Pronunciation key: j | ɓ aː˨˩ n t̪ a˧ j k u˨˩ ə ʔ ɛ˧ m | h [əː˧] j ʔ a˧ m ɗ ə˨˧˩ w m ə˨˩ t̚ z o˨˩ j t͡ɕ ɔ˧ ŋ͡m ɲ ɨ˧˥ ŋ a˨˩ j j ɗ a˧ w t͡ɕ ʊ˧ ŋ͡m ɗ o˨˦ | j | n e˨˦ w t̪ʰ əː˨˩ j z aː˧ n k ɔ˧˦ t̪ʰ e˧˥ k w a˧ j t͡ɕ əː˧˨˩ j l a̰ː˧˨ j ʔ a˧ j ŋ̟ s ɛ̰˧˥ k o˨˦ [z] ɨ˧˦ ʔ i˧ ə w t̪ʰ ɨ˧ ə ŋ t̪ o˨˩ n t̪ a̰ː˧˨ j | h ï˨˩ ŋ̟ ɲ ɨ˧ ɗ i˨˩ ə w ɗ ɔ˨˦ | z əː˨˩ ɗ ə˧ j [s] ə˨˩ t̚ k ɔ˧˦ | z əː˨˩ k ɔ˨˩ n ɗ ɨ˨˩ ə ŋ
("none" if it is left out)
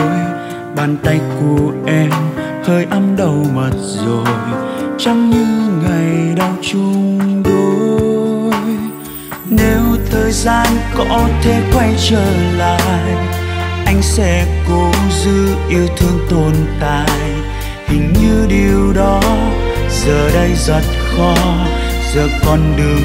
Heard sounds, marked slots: əː˧, z, z

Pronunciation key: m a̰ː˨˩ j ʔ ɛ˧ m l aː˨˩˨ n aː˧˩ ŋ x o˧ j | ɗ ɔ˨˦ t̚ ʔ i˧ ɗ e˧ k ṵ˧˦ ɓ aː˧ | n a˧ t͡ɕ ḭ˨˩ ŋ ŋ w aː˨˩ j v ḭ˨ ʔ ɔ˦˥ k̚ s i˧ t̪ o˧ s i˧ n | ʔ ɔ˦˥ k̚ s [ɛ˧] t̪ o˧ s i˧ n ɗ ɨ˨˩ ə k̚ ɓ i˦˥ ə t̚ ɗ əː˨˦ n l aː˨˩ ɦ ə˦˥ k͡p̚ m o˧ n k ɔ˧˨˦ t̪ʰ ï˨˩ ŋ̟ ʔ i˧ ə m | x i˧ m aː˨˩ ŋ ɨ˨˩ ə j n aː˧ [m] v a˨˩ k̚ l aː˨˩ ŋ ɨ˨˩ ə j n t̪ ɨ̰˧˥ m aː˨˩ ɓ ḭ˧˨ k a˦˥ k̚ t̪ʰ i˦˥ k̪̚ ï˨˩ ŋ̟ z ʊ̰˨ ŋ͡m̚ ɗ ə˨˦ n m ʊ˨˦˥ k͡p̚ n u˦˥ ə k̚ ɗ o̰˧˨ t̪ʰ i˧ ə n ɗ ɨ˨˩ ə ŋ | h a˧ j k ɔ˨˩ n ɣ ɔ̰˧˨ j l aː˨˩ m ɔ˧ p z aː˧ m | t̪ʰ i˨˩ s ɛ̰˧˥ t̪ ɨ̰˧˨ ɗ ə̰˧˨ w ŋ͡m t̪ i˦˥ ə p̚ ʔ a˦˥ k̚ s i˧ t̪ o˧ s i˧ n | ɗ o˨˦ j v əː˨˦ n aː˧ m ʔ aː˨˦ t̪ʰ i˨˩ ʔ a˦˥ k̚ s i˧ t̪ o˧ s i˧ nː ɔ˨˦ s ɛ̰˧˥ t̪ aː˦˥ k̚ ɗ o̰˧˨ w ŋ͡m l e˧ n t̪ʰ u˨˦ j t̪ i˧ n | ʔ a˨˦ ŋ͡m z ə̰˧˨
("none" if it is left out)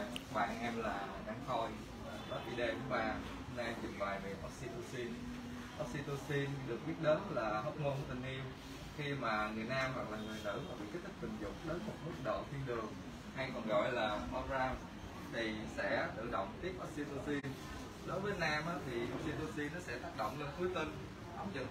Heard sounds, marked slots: i˧, m

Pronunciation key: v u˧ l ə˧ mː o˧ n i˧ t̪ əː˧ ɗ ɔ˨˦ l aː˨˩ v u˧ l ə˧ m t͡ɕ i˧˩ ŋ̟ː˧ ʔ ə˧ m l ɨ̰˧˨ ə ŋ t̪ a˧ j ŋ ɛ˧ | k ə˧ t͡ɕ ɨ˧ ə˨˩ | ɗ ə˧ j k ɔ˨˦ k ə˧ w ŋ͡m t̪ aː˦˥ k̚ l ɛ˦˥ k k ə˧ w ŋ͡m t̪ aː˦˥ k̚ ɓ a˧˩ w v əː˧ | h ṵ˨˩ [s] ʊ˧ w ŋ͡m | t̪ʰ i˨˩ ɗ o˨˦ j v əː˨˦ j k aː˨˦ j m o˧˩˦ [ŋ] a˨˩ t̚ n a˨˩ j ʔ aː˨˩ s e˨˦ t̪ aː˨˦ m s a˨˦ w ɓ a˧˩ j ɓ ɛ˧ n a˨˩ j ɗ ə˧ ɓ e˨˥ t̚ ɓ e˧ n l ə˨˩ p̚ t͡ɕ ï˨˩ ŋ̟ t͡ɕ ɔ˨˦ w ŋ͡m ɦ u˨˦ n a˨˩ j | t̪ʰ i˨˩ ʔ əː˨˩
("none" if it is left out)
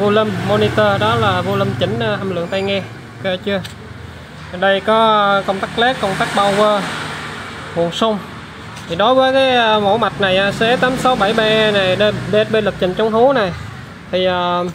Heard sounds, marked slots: s, m

